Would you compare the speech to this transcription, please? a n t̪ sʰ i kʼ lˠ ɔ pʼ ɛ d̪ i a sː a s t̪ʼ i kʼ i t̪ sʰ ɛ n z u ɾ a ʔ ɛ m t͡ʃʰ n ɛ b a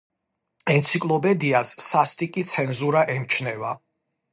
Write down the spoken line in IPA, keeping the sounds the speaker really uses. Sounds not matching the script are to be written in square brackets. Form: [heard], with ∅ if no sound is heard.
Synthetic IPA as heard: [ɛ] n t̪ sʰ i kʼ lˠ ɔ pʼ ɛ d̪ i a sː a s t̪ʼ i kʼ i t̪ sʰ ɛ n z u ɾ a ʔ ɛ m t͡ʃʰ n ɛ [v] a